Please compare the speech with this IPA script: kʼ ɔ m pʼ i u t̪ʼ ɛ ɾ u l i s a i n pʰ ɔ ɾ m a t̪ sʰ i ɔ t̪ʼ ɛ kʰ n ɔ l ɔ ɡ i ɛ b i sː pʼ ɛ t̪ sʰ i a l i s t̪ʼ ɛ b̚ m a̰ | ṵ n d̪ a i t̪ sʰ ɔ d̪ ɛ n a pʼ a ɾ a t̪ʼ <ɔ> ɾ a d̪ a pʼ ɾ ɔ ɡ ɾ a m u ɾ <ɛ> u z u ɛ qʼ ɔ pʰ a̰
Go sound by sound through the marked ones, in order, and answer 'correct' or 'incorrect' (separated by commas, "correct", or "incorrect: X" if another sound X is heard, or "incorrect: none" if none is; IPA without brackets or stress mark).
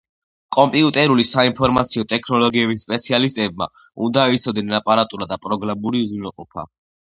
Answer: incorrect: u, incorrect: i